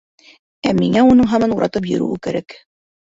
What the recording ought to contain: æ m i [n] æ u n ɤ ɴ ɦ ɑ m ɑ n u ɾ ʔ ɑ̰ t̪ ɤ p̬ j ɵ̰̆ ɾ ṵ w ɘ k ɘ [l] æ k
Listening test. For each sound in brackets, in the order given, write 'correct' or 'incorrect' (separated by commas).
incorrect, incorrect